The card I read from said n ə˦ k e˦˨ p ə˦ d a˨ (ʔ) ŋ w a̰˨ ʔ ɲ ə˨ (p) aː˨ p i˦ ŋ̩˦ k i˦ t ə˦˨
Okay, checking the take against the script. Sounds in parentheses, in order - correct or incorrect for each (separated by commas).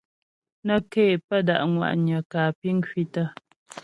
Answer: correct, incorrect